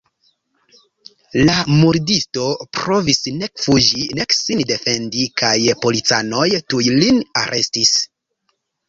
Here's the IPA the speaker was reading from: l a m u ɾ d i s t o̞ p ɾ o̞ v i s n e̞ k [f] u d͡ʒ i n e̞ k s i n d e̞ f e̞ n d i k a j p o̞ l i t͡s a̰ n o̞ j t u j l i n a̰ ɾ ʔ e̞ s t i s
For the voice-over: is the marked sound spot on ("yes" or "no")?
yes